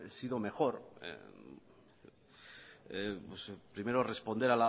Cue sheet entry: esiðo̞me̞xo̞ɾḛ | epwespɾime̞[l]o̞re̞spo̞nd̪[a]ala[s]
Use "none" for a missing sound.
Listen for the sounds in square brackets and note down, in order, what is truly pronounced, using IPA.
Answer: ɾ, e, none

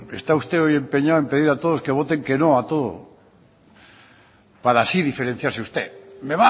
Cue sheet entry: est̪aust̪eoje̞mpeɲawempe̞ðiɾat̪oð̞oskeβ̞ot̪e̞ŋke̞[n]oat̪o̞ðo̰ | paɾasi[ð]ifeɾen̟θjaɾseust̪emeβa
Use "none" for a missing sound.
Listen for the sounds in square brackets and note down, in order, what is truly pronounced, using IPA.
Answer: n, ð

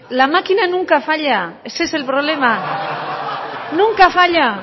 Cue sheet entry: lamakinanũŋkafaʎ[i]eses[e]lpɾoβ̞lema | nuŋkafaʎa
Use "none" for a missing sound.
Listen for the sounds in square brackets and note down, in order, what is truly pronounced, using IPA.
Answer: a, e

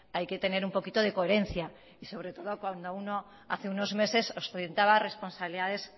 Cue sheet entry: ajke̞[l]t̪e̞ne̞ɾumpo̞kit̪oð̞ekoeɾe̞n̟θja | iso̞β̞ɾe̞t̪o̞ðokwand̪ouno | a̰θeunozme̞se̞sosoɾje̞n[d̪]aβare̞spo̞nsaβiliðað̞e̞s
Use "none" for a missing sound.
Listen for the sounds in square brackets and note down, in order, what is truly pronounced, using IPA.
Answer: none, t̪

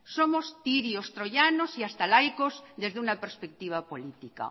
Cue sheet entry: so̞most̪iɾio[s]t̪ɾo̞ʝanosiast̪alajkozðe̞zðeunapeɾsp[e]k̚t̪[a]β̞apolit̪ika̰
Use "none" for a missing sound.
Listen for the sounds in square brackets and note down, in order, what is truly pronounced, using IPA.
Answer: s, e, i

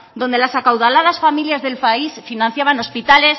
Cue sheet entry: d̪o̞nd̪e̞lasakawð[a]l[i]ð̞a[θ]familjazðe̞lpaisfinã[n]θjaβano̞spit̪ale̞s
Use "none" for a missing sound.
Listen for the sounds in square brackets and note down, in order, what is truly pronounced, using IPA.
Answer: a, a, s, n

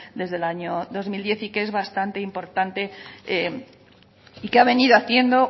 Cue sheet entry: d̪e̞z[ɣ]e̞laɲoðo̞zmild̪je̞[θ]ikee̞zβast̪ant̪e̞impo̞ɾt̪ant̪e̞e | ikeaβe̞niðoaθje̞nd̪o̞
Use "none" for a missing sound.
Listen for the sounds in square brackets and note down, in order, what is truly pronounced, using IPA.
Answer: ð, θ

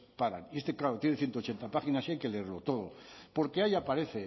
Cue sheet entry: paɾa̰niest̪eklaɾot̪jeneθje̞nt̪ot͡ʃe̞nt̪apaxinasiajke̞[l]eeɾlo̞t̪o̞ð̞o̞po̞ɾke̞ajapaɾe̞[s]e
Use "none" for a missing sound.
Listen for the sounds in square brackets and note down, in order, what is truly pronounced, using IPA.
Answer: l, θ

